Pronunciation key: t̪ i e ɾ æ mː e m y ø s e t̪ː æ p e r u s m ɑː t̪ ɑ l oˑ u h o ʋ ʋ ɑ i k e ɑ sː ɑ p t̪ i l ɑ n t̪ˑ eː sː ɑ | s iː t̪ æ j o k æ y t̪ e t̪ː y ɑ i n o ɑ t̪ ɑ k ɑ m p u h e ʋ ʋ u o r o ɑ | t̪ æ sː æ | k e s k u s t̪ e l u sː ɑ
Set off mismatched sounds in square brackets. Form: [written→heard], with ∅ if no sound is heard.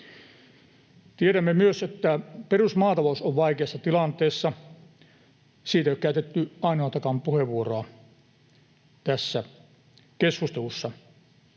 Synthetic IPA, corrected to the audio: t̪ i e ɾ æ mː e m y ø s e t̪ː æ p e r u s m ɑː t̪ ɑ l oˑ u [h→s] o ʋ ʋ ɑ i k e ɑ sː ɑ [p→∅] t̪ i l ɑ n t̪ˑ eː sː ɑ | s iː t̪ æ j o k æ y t̪ e t̪ː y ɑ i n o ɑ t̪ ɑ k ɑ m p u h e ʋ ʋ u o r o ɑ | t̪ æ sː æ | k e s k u s t̪ e l u sː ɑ